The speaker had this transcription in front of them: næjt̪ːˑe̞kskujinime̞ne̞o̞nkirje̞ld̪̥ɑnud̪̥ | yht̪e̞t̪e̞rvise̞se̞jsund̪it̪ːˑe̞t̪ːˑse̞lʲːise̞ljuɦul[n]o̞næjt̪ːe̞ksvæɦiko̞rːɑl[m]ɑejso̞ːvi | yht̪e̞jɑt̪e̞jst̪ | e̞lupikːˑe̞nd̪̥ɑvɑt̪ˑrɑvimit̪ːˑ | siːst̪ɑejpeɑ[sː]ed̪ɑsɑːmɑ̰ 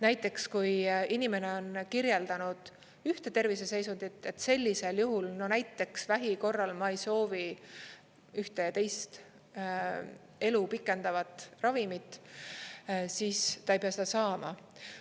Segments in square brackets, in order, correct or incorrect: correct, correct, incorrect: s

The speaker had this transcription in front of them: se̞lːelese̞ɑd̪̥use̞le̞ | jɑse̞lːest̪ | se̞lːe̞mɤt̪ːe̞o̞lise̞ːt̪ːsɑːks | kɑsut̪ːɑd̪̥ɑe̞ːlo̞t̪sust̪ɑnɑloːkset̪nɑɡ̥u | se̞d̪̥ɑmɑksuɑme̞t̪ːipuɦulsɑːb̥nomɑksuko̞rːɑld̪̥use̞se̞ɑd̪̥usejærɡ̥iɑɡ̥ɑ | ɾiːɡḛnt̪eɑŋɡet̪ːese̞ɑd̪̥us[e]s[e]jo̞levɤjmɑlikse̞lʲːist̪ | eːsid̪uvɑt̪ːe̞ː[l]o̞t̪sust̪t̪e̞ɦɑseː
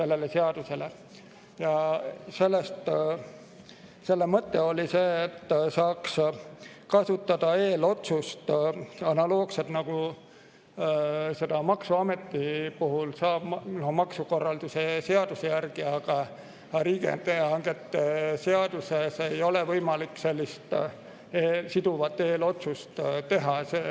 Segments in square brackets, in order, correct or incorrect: correct, correct, correct

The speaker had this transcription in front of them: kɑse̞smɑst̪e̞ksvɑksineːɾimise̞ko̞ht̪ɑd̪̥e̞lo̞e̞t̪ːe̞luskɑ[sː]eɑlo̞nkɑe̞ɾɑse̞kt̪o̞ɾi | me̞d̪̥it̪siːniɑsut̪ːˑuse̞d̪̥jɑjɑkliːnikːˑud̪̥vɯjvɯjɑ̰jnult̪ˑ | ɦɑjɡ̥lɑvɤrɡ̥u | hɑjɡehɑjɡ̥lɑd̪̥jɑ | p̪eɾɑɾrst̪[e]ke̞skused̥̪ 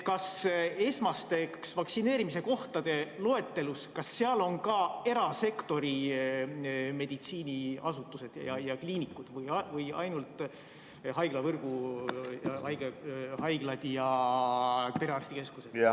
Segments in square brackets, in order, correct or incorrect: correct, incorrect: i

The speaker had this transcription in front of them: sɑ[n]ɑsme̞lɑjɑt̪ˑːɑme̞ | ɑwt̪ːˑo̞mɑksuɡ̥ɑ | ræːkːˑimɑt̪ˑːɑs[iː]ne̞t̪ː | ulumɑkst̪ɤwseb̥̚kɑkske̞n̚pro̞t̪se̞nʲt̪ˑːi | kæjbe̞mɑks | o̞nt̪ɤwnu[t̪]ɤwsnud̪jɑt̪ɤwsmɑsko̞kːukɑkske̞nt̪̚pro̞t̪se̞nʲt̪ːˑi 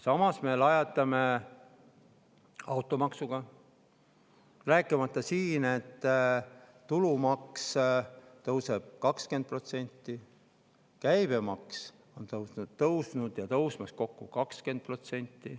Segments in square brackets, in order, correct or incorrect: incorrect: m, correct, correct

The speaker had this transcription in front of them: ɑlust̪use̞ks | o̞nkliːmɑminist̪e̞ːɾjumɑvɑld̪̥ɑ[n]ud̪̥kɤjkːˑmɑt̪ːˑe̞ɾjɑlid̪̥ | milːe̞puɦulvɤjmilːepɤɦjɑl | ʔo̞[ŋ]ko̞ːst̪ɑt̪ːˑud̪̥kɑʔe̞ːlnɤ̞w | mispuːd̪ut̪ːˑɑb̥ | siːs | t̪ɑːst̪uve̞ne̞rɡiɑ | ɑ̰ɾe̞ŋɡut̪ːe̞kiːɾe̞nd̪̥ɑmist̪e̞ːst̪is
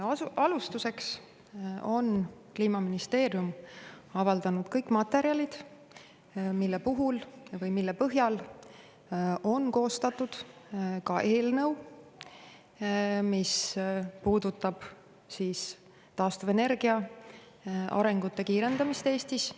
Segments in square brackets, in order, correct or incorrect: correct, incorrect: n

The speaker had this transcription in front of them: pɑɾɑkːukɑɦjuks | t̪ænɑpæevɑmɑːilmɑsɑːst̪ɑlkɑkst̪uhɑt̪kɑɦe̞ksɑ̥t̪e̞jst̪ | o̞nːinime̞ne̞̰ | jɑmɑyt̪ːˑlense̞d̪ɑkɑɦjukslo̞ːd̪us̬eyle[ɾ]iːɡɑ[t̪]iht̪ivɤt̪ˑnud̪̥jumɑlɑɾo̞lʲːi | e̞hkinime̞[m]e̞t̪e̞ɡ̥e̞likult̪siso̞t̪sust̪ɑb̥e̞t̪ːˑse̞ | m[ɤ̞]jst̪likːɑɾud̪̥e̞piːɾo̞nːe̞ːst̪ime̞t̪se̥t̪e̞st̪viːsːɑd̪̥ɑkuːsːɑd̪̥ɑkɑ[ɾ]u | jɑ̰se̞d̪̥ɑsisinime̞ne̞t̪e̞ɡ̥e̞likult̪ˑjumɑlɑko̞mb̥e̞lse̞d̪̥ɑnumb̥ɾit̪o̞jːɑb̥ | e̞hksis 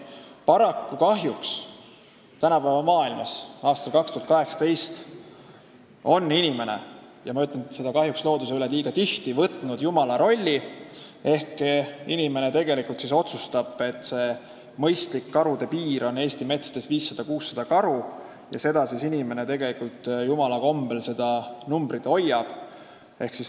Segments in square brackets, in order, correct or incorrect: incorrect: l, correct, incorrect: n, correct, correct

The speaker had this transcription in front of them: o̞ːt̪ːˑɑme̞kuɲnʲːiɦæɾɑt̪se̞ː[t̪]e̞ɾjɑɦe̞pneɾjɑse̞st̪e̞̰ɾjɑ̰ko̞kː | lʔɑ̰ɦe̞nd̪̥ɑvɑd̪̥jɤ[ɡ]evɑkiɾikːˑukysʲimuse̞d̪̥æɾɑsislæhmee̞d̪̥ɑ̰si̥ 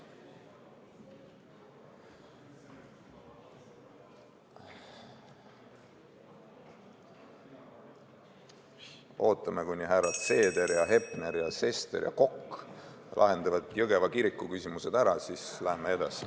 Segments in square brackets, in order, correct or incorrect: incorrect: d̪, correct

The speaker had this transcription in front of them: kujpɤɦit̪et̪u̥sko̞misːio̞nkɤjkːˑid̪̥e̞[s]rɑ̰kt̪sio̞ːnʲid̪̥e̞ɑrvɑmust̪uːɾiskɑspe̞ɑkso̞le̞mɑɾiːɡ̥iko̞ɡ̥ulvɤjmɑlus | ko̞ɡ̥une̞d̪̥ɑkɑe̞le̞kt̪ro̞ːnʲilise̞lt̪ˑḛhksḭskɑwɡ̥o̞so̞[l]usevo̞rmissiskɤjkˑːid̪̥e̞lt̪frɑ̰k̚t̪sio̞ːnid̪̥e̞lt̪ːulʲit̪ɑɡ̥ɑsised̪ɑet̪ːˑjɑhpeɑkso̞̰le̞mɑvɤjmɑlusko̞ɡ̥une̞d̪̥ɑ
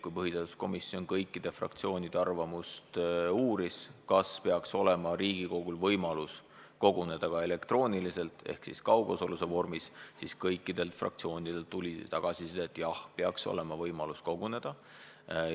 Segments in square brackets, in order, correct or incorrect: incorrect: f, correct

